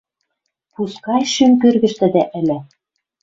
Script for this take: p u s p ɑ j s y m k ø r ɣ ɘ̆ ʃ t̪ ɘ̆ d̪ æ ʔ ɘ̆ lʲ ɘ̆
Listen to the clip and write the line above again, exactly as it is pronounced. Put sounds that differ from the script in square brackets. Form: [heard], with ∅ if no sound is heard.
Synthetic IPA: p u s [k] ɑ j [ʃ] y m k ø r ɣ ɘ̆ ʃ t̪ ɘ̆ d̪ æ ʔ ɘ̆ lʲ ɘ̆